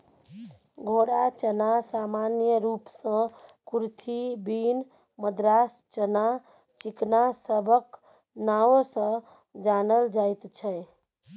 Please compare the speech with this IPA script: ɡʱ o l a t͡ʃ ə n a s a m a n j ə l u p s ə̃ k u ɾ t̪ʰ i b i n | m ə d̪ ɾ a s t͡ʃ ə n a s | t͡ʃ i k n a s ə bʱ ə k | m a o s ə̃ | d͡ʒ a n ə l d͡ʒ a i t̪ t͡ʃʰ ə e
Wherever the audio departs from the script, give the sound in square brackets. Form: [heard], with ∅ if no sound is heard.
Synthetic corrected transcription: ɡʱ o [ɽ] a t͡ʃ ə n a s a m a n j ə [ɾ] u p s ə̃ k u ɾ t̪ʰ i b i n | m ə d̪ ɾ a s t͡ʃ ə n a [∅] | t͡ʃ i k n a s ə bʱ ə k | [n] a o s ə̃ | d͡ʒ a n ə l d͡ʒ a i t̪ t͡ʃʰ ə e